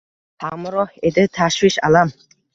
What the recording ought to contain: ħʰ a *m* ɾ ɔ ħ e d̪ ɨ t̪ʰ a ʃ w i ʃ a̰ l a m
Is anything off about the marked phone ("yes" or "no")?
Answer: no